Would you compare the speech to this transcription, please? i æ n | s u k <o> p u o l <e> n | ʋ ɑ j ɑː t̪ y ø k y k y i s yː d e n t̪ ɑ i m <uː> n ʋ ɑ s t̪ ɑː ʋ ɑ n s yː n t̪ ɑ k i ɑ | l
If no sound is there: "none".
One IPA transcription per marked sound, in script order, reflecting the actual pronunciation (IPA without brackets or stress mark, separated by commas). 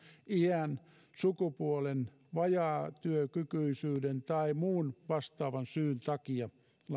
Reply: u, e, uː